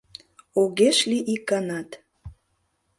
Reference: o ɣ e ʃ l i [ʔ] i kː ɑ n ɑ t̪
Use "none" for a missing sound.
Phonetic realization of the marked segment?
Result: ʔ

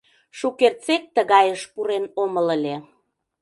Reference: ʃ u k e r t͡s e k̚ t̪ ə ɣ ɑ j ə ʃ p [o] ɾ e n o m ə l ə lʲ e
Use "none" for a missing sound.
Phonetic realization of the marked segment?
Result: u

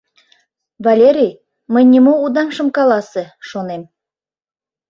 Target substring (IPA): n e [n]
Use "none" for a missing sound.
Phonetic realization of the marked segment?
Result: m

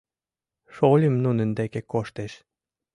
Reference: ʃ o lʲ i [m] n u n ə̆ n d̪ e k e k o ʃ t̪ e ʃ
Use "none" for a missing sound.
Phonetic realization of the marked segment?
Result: m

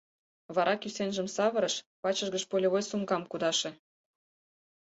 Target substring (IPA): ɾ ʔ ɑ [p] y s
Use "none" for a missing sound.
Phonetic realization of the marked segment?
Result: k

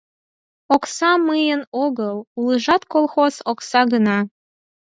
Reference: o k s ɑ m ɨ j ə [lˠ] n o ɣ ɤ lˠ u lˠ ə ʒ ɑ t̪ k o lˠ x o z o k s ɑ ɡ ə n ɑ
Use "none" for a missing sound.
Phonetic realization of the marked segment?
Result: none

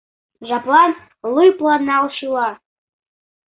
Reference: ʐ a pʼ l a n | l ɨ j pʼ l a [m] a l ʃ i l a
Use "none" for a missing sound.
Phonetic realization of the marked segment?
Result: n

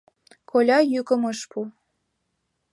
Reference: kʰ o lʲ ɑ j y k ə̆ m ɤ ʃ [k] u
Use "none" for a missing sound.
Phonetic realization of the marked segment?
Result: p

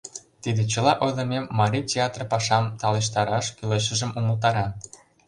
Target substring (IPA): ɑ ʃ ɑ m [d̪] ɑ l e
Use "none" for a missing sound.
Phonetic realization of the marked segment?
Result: t̪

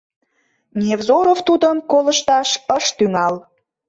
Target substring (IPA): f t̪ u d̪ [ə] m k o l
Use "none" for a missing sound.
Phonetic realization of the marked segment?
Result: ə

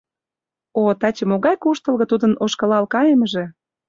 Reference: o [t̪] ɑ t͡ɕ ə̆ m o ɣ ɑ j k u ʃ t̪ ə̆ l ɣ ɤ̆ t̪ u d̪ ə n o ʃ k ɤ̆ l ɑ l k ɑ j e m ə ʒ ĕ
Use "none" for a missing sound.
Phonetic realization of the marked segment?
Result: t̪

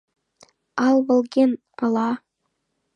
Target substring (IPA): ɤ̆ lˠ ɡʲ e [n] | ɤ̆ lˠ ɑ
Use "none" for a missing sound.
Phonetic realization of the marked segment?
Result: n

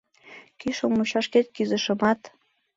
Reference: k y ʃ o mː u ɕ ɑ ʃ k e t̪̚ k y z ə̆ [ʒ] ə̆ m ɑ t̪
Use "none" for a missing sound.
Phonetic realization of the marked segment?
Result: ʃ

